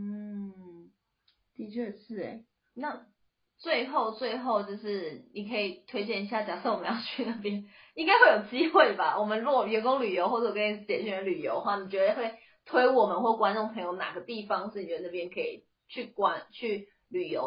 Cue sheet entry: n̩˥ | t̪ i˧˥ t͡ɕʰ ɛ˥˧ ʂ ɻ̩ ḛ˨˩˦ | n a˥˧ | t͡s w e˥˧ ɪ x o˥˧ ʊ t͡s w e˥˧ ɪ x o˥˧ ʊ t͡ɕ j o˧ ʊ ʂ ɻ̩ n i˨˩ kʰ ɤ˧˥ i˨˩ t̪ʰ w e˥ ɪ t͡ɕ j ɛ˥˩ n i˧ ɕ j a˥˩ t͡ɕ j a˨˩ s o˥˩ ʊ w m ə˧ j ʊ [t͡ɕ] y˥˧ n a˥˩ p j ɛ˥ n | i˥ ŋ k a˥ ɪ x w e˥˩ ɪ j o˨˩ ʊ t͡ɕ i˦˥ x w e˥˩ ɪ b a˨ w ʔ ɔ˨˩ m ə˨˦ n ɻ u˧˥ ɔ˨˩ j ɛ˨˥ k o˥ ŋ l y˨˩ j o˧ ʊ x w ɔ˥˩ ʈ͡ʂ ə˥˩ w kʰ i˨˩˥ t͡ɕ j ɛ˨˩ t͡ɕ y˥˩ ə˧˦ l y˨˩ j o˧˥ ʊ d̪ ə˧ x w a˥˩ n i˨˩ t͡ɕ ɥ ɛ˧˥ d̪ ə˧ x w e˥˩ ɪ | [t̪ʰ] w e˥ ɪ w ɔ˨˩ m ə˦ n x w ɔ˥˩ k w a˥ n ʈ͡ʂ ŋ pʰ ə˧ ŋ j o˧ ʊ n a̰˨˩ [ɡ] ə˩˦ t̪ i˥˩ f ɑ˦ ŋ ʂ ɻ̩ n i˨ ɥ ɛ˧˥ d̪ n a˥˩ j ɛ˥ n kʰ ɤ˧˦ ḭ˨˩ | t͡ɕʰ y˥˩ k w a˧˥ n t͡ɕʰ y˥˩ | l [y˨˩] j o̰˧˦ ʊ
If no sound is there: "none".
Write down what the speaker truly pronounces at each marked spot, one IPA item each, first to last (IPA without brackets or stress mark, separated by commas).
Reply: t͡ɕʰ, t̪ʰ, ɡ, y˨˩